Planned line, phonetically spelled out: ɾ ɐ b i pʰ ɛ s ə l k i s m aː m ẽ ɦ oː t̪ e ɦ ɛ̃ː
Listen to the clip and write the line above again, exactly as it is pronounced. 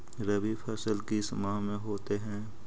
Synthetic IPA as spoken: ɾ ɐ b i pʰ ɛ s ə l k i s m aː m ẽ ɦ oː t̪ e ɦ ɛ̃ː